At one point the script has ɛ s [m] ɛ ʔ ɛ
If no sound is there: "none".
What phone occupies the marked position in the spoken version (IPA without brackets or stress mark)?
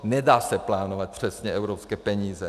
ɲ